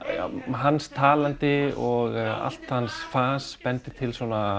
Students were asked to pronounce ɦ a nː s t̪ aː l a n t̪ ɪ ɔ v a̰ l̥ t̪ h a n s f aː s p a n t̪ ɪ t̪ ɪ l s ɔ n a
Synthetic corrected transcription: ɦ a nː s t̪ʰ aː l a n t̪ ɪ ɔ ɣ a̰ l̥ t̪ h a n s f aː s p ɛ n t̪ ɪ t̪ʰ ɪ l s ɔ n a